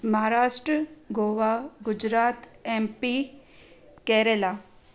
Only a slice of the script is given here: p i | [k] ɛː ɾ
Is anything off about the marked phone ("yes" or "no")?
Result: no